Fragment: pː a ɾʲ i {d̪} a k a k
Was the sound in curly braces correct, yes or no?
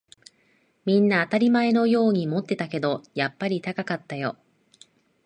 no